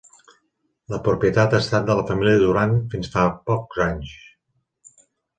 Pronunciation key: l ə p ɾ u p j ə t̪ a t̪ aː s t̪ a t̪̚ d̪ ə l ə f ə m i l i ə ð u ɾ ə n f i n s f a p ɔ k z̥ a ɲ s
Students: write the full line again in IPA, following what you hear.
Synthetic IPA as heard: l ə p ɾ u p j ə t̪ a t̪ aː s t̪ a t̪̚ d̪ ə l ə f ə m i l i ə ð u ɾ a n f i n s f a p ɔ k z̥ a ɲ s

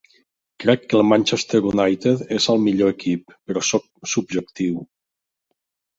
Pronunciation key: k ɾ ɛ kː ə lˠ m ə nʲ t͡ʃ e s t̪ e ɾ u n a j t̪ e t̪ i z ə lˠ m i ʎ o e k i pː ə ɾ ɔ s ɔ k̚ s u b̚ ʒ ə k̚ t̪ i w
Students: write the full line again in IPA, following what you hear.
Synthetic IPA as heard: k ɾ ɛ kː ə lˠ m a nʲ t͡ʃ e s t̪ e ɾ u n a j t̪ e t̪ e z ə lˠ m i ʎ o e k i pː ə ɾ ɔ s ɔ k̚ s u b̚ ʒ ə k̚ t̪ i w

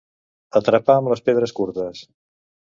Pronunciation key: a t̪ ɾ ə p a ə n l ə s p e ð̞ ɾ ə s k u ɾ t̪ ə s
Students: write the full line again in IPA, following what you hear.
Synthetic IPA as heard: ə t̪ ɾ ə p a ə m l ə s p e ð̞ ɾ ə s k u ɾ t̪ ə s

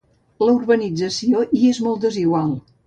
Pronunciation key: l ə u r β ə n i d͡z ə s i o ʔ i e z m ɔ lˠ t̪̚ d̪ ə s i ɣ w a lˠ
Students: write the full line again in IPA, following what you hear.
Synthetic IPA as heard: l ə u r β ə n i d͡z ə s i o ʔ i e z m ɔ lˠ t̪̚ d̪ ə z i ɣ w a lˠ

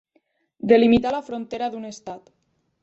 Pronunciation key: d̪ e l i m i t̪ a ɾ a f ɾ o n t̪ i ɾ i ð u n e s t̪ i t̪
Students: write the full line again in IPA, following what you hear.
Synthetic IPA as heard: d̪ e l i m i t̪ a l a f ɾ o n t̪ e ɾ a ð u n e s t̪ a t̪

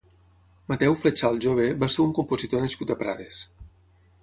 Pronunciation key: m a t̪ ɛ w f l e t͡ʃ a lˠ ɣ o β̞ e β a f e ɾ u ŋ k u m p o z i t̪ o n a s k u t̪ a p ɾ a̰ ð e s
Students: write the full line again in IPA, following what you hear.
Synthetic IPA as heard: m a t̪ ɛ w f l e t͡ʃ a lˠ ʒ o β̞ e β a s e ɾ u ŋ k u m p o z i t̪ o n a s k u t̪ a p ɾ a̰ ð e s

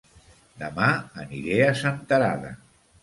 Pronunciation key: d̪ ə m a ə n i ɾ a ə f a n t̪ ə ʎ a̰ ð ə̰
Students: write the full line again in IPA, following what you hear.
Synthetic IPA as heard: d̪ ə m a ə n i ɾ e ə s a n t̪ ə ɾ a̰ ð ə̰

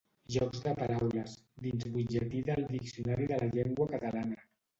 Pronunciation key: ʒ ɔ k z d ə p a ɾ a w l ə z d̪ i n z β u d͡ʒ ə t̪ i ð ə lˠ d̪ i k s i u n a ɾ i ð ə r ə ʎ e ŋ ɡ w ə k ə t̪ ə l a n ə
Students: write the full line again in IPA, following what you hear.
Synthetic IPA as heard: ʒ ɔ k z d ə p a ɾ a w l ə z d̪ i n z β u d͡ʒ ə t̪ i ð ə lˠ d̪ i k s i u n a ɾ i ð ə l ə ʎ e ŋ ɡ w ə k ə t̪ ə l a n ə

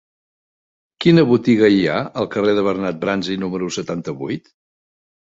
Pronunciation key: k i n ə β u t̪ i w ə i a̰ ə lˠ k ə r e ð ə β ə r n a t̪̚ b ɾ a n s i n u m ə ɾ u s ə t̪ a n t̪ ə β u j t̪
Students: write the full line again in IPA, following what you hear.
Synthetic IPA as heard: k i n ə β u t̪ i ɣ ə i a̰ ə lˠ k ə r e ð ə β ə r n a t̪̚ b ɾ a n z i n u m ə ɾ u s ə t̪ a n t̪ ə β u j t̪

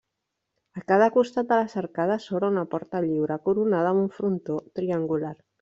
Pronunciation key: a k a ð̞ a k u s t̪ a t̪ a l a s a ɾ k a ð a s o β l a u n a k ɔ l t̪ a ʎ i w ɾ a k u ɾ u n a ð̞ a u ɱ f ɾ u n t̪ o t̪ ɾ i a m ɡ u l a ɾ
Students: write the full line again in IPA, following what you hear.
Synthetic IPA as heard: a k a ð̞ a k u s t̪ a t̪ a l a s a ɾ k a ð a s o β ɾ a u n a p ɔ ɾ t̪ a ʎ i w ɾ a k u ɾ u n a ð̞ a u ɱ f ɾ u n t̪ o t̪ ɾ i a ŋ ɡ u l a ɾ

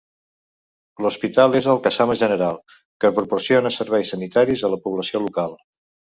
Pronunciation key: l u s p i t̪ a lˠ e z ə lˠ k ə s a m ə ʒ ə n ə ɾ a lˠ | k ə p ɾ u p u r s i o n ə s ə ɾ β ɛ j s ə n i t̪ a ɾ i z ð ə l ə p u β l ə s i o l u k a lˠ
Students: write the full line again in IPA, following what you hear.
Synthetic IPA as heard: l u s p i t̪ a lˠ e z ə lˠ k ə s a m ə ʒ ə n ə ɾ a lˠ | k ə p ɾ u p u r s i o n ə s ə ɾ β ɛ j s ə n i t̪ a ɾ i z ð ə l ə p u β l ə s i o l u k a lˠ

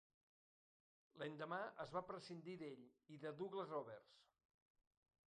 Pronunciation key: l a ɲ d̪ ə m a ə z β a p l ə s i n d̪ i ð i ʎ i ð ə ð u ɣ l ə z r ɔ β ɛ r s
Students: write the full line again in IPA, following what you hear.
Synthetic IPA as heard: l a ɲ d̪ ə m a ə z β a p ɾ ə s i n d̪ i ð e ʎ i ð ə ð u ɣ l ə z r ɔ β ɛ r s

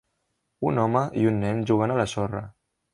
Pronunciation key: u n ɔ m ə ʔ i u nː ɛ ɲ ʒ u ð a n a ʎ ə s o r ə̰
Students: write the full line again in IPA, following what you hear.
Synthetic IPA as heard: u n ɔ m ə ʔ i u nː ɛ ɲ ʒ u ɣ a n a l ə s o r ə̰

